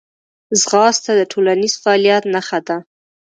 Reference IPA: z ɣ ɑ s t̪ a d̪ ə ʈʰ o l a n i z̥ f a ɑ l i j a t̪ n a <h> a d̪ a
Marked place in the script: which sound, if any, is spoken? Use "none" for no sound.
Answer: x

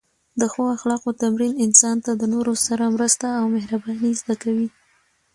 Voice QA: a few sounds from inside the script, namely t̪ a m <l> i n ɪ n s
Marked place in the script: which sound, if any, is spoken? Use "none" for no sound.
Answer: ɾ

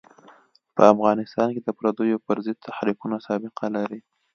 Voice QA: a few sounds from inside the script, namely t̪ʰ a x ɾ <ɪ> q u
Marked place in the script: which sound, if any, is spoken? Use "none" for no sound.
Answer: i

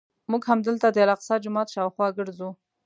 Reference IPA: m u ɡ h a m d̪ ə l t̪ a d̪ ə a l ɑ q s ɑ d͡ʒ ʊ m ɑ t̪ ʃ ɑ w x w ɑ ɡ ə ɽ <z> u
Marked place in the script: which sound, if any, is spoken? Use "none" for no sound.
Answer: z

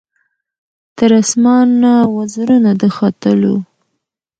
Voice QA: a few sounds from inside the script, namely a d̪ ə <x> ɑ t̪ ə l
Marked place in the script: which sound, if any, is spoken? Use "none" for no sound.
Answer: x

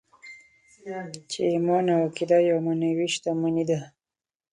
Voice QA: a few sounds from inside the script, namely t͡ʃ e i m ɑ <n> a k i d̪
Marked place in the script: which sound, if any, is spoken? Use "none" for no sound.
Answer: n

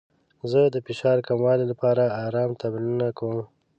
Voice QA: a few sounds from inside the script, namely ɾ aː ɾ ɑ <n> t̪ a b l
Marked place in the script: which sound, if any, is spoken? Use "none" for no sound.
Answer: m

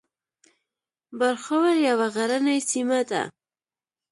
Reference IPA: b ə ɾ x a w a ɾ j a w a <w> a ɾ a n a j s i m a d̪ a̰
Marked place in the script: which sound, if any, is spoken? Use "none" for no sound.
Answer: ɣ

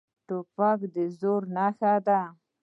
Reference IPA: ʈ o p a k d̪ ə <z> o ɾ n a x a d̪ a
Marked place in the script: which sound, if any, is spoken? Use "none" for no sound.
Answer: z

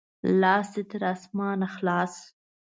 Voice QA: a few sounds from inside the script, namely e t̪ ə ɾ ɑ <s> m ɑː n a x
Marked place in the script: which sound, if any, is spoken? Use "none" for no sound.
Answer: s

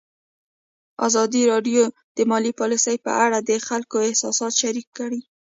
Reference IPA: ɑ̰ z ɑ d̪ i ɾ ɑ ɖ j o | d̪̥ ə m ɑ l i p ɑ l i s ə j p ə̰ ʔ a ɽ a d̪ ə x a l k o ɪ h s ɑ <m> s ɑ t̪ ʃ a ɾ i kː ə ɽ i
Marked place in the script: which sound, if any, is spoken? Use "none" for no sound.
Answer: none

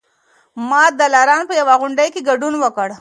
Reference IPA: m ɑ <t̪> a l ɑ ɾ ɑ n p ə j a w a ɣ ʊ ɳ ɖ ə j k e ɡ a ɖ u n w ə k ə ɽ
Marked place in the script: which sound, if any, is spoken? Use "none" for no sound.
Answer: d̪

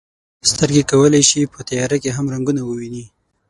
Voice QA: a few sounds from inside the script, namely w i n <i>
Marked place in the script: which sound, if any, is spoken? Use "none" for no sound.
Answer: i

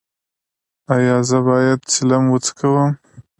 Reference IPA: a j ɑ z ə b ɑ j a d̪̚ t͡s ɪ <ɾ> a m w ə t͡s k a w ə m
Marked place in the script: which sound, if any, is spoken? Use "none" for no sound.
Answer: l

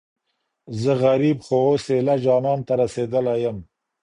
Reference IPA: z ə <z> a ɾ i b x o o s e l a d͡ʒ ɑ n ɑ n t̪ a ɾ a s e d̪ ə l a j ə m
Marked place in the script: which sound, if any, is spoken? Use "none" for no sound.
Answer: ɣ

